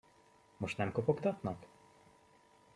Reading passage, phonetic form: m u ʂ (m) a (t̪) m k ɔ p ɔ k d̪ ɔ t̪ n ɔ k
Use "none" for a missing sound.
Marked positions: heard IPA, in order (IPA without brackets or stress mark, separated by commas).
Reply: n, none